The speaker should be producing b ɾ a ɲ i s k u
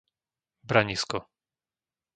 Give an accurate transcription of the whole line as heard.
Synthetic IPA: b ɾ a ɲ i s k ɔ